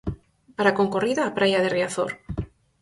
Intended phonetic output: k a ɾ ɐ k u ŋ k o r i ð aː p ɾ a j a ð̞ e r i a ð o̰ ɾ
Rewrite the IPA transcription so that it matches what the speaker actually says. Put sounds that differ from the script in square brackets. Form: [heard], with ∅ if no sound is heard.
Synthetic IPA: [p] a ɾ [a] k [o] ŋ k o r i ð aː p ɾ a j a ð̞ e r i a [θ] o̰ ɾ